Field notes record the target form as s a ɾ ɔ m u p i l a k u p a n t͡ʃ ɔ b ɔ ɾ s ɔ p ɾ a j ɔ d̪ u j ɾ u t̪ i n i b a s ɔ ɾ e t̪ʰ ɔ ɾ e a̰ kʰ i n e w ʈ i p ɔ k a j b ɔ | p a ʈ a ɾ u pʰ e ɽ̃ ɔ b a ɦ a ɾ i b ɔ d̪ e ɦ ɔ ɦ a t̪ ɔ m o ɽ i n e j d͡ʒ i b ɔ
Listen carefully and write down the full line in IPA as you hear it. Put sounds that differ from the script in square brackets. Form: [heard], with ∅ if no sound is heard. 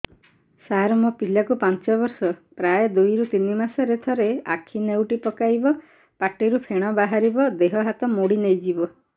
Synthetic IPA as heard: s a ɾ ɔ m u p i l a k u p a n t͡ʃ ɔ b ɔ ɾ s ɔ p ɾ a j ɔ d̪ u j ɾ u t̪ i n i [m] a s ɔ ɾ e t̪ʰ ɔ ɾ e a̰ kʰ i n e w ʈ i p ɔ k a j b ɔ | p a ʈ [i] ɾ u pʰ e ɽ̃ ɔ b a ɦ a ɾ i b ɔ d̪ e ɦ ɔ ɦ a t̪ ɔ m o ɽ i n e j d͡ʒ i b ɔ

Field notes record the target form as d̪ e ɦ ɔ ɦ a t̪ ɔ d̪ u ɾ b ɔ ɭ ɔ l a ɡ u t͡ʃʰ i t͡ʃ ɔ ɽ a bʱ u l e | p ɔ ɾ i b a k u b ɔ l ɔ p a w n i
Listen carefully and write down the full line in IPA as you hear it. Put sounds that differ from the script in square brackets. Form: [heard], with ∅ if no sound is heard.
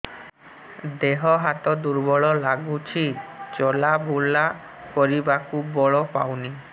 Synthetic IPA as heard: d̪ e ɦ ɔ ɦ a t̪ ɔ d̪ u ɾ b ɔ ɭ ɔ l a ɡ u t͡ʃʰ i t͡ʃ ɔ [l] a bʱ u l [a] | [k] ɔ ɾ i b a k u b ɔ [ɭ] ɔ p a w n i

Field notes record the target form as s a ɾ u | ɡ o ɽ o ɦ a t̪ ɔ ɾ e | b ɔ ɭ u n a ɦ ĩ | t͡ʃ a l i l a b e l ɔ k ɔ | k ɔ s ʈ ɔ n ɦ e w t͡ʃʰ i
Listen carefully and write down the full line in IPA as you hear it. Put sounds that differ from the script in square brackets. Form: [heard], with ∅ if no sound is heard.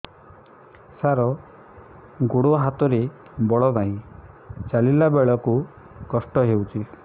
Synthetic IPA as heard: s a ɾ [ɔ] | ɡ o ɽ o ɦ a t̪ ɔ ɾ e | b ɔ ɭ [ɔ] n a ɦ ĩ | t͡ʃ a l i l a b e [ɭ] ɔ k [u] | k ɔ s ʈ ɔ [∅] ɦ e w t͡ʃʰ i

